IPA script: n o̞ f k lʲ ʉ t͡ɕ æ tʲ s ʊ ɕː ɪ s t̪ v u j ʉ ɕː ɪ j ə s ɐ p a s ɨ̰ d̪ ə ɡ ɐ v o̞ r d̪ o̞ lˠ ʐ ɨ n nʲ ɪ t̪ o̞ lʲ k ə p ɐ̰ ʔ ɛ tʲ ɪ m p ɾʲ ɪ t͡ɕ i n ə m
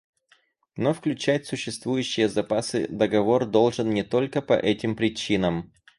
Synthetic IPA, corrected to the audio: n o̞ f k lʲ ʉ t͡ɕ æ tʲ s ʊ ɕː ɪ s t̪ v u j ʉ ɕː ɪ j ə z ɐ p a s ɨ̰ d̪ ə ɡ ɐ v o̞ r d̪ o̞ lˠ ʐ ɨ n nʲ ɪ t̪ o̞ lʲ k ə p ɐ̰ ʔ ɛ tʲ ɪ m p ɾʲ ɪ t͡ɕ i n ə m